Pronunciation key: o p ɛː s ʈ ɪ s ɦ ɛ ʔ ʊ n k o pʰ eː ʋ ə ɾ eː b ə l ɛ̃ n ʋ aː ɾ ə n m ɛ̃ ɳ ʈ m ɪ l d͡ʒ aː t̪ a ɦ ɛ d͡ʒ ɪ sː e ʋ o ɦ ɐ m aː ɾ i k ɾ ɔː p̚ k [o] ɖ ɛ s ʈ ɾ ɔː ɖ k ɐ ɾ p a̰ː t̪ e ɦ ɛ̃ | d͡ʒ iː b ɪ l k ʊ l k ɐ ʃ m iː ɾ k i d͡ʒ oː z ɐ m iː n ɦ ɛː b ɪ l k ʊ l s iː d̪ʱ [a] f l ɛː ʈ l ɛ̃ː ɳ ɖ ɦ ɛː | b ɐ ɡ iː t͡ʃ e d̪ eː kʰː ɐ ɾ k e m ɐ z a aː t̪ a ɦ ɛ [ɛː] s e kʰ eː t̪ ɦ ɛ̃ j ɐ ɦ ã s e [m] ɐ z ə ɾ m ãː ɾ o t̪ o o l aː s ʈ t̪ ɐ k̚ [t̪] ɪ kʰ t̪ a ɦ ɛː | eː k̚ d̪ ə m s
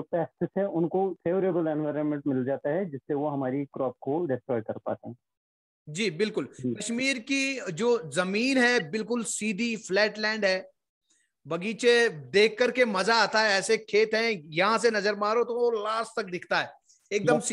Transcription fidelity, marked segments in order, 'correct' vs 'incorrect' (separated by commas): correct, incorrect, correct, incorrect, incorrect